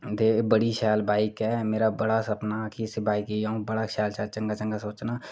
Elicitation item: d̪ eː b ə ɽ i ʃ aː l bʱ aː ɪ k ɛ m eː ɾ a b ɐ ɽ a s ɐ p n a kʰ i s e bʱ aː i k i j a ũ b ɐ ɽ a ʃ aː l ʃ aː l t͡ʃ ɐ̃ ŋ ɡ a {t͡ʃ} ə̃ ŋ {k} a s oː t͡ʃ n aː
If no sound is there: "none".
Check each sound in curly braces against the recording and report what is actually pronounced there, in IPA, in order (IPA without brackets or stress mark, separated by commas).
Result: t͡ʃ, ɡ